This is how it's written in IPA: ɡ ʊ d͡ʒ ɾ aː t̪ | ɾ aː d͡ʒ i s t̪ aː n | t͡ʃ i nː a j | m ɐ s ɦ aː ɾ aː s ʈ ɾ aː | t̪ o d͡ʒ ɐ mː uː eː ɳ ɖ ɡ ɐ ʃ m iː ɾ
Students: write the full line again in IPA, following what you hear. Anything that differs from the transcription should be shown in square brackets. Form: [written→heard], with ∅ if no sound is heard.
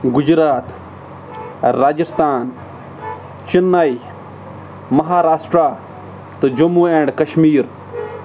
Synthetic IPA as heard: ɡ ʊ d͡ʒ ɾ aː t̪ | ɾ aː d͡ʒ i s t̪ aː n | t͡ʃ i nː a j | m ɐ [s→∅] ɦ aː ɾ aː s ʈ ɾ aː | t̪ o d͡ʒ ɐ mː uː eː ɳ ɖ [ɡ→k] ɐ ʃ m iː ɾ

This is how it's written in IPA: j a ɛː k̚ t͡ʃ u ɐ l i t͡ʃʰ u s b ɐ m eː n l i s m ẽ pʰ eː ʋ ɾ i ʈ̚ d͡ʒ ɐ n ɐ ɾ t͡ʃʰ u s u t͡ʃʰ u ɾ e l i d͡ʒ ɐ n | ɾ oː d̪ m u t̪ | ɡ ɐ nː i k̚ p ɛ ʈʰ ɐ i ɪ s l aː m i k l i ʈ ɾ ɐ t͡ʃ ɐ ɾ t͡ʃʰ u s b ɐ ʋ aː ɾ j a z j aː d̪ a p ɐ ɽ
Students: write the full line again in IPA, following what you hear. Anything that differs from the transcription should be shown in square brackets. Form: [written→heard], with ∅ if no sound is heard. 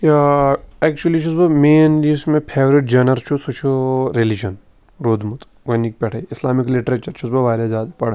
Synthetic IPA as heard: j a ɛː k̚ t͡ʃ u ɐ l i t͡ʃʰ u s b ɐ m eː n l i s m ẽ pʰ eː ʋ ɾ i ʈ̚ d͡ʒ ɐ n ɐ ɾ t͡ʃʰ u s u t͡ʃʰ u ɾ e l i d͡ʒ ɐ n | ɾ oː d̪ m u t̪ | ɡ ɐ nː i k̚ p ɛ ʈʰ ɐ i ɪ s l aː m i k l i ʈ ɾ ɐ t͡ʃ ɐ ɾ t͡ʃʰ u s b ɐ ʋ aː ɾ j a z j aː d̪ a p ɐ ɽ

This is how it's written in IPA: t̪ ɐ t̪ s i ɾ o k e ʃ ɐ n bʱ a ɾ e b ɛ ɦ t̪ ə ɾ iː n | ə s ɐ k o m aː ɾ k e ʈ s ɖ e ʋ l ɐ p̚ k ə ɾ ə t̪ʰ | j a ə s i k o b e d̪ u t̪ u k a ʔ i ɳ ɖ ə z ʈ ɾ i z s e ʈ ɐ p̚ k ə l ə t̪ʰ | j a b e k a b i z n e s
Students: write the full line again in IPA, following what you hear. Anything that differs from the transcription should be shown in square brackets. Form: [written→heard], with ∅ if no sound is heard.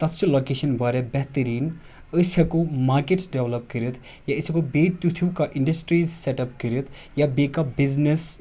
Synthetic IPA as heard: t̪ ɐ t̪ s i [ɾ→l] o k e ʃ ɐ n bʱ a ɾ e b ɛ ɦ t̪ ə ɾ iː n | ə s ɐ k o m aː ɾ k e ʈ s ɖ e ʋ l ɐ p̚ k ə ɾ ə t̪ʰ | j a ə s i k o b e [d̪→t̪] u [t̪→t̪ʰ] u k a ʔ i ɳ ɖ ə [z→s] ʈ ɾ i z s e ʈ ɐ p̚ k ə [l→ɾ] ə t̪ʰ | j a b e k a b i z n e s

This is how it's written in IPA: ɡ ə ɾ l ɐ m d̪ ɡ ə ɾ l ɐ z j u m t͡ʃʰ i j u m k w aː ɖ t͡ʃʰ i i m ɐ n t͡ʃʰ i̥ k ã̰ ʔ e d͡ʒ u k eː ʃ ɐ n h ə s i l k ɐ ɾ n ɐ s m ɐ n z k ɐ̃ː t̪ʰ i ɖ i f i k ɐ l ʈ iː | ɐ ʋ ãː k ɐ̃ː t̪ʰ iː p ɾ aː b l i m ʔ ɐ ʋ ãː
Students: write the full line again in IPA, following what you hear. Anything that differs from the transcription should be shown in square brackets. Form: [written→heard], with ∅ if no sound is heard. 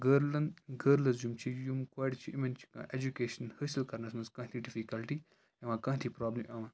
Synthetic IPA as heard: ɡ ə ɾ l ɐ [m→n] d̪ ɡ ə ɾ l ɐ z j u m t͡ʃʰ i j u m k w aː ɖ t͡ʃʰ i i m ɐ n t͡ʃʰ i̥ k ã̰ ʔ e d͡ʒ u k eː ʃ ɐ n h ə s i l k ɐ ɾ n ɐ s m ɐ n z k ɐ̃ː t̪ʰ i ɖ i f i k ɐ l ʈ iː | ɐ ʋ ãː k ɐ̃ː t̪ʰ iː p ɾ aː b l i m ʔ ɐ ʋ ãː

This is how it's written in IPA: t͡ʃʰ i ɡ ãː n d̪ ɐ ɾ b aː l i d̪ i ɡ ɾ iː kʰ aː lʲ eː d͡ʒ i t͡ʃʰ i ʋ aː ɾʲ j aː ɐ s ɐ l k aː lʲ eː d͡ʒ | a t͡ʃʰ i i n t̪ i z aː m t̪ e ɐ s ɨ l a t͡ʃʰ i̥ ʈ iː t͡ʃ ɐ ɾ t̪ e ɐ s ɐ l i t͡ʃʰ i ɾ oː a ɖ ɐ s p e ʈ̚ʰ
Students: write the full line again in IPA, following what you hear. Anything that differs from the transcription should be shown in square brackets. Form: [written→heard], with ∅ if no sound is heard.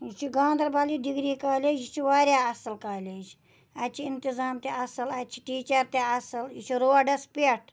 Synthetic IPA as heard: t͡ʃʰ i ɡ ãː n d̪ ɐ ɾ b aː l i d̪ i ɡ ɾ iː [kʰ→k] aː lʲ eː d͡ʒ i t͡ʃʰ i ʋ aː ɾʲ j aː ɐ s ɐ l k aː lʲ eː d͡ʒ | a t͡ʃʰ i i n t̪ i z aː m t̪ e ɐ s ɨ l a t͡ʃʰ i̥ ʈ iː t͡ʃ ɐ ɾ t̪ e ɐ s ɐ l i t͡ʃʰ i ɾ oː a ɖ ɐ s p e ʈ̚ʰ

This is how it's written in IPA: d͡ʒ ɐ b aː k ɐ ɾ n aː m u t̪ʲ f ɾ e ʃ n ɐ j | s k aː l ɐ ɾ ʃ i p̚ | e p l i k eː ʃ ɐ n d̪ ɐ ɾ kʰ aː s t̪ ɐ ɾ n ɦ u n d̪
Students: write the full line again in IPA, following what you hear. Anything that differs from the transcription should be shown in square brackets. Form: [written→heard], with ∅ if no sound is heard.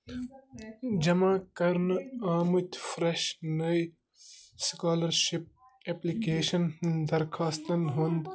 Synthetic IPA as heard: d͡ʒ ɐ [b→m] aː k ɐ ɾ n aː m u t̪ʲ f ɾ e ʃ n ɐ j | s k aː l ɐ ɾ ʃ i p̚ | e p l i k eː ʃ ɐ n d̪ ɐ ɾ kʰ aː s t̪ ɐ [ɾ→∅] n ɦ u n d̪

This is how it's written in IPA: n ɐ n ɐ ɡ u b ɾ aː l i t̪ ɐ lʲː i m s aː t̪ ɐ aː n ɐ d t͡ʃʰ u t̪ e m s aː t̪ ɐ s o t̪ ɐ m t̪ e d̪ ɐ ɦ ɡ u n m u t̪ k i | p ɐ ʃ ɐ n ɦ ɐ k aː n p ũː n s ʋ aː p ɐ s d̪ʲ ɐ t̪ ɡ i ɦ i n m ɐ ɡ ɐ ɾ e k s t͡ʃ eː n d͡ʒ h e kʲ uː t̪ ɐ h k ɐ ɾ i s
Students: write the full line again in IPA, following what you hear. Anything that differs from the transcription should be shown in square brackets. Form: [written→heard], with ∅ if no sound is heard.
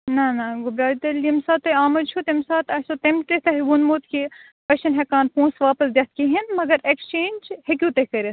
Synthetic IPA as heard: n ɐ n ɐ ɡ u b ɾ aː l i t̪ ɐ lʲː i m s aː t̪ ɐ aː [n→m] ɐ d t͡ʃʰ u t̪ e m s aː t̪ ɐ s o t̪ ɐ m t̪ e [d̪→t̪] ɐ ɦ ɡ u n m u t̪ k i | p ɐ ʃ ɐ n ɦ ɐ k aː n p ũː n s ʋ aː p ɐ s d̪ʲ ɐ t̪ [ɡ→k] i ɦ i n m ɐ ɡ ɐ ɾ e k s t͡ʃ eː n d͡ʒ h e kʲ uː t̪ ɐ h k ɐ ɾ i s

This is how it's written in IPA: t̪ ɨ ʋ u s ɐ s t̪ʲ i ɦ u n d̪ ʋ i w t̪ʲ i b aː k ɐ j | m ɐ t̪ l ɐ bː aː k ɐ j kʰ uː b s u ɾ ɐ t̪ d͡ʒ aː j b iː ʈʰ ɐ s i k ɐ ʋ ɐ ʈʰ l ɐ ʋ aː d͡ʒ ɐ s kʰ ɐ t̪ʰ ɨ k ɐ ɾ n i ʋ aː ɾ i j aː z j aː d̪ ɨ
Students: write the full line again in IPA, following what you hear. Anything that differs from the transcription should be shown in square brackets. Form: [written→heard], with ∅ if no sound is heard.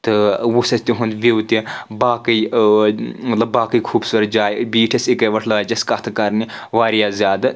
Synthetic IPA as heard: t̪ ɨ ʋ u s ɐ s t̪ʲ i ɦ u n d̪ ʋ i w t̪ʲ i b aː k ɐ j | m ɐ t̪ l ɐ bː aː k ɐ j kʰ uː b s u ɾ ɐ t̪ d͡ʒ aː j b iː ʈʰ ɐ s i k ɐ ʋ ɐ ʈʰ l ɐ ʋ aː d͡ʒ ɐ s [kʰ→k] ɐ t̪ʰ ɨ k ɐ ɾ n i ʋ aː ɾ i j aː z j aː d̪ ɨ

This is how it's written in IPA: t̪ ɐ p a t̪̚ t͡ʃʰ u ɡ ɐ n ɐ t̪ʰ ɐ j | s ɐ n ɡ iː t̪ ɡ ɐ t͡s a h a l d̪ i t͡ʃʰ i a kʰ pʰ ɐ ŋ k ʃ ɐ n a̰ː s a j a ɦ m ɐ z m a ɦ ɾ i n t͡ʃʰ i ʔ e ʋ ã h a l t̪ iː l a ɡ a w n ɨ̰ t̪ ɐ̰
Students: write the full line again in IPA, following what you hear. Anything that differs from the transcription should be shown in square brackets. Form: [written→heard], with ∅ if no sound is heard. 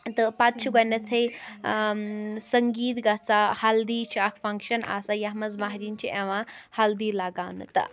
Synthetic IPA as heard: t̪ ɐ p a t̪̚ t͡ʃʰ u ɡ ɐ n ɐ t̪ʰ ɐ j | s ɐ [n→ŋ] ɡ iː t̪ ɡ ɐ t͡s a h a l d̪ i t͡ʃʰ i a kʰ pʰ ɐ ŋ k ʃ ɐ n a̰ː s a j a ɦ m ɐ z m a ɦ ɾ i n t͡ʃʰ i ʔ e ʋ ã h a l [t̪→d̪] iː l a ɡ a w n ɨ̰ t̪ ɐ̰

